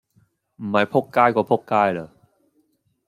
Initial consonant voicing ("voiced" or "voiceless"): voiced